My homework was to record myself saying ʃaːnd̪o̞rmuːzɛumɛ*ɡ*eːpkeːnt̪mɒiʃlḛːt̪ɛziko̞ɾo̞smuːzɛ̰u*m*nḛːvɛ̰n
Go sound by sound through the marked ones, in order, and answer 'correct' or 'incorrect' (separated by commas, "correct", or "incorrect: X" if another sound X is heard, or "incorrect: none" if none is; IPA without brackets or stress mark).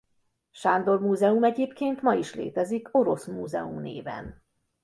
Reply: incorrect: ɟ, correct